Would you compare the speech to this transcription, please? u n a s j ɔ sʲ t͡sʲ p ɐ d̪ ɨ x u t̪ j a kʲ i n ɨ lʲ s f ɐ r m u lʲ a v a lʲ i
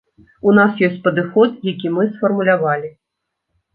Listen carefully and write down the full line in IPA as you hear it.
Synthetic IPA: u n a s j ɔ sʲ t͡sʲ p ɐ d̪ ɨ x ɔ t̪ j a kʲ i m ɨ s f ɐ r m u lʲ a v a lʲ i